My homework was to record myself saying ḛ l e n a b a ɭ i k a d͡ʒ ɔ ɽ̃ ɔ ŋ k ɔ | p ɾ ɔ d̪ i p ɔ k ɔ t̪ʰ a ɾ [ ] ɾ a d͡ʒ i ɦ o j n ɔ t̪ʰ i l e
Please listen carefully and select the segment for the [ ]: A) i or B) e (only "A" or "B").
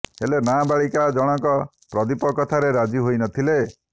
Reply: B